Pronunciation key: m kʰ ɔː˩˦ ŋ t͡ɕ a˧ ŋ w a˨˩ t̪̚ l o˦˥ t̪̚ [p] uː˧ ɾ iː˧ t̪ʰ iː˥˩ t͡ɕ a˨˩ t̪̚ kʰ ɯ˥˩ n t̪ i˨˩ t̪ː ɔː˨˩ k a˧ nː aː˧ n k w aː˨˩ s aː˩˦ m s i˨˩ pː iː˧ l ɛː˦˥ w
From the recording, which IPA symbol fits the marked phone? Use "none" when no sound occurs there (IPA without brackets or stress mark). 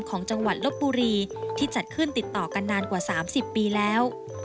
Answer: b